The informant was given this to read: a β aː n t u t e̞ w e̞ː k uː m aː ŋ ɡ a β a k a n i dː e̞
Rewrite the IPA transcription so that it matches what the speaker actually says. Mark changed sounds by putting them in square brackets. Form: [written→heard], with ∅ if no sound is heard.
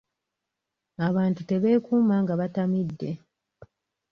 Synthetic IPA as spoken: a β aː n t u t e̞ [w→β] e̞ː k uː m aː ŋ ɡ a β a [k→t] a [n→m] i dː e̞